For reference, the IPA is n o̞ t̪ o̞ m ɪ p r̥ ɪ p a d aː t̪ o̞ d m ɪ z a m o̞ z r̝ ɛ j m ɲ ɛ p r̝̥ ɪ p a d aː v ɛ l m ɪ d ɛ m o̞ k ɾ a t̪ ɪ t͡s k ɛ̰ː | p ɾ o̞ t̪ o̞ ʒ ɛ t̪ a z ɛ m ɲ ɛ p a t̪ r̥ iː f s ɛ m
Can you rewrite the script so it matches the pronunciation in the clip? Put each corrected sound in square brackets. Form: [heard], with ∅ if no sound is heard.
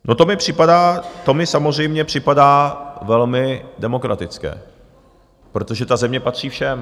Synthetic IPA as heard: n o̞ t̪ o̞ m ɪ p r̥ ɪ p a d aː t̪ o̞ [∅] m ɪ [s] a m o̞ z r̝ ɛ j m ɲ ɛ p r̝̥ ɪ p a d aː v ɛ l m ɪ d ɛ m o̞ k ɾ a t̪ ɪ t͡s k ɛ̰ː | p ɾ o̞ t̪ o̞ ʒ ɛ t̪ a z ɛ m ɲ ɛ p a t̪ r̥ iː f [ʃ] ɛ m